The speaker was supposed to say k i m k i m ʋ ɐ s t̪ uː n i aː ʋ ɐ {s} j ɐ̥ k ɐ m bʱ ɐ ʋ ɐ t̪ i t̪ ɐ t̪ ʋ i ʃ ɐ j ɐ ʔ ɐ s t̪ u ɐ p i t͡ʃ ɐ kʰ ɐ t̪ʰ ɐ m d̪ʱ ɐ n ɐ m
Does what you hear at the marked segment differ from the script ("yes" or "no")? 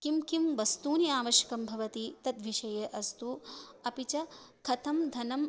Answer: yes